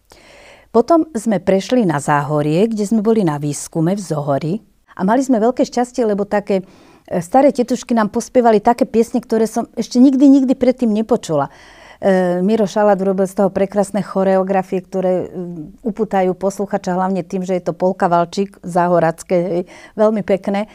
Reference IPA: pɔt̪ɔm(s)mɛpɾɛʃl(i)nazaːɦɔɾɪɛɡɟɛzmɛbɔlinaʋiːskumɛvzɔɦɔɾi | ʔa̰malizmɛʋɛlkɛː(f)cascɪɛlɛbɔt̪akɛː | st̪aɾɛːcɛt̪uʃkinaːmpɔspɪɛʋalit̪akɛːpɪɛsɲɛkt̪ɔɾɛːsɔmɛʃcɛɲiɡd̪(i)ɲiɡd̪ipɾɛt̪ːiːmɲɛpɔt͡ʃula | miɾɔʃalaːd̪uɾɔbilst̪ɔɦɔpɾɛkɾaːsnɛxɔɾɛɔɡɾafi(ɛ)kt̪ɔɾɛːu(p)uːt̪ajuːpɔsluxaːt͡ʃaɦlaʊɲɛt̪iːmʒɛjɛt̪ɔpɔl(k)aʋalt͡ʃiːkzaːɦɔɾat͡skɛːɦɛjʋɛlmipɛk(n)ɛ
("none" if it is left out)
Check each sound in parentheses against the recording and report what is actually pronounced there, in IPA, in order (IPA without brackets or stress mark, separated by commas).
z, i, ʃ, i, ɛ, p, k, n